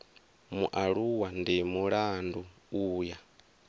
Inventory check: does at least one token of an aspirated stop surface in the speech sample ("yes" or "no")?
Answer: no